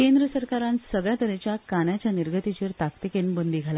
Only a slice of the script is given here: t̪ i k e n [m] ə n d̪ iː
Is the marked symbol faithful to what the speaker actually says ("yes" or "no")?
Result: no